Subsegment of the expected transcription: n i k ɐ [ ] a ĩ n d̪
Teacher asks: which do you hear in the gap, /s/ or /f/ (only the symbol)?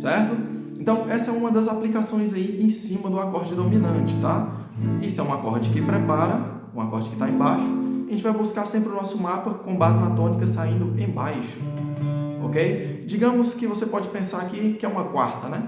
s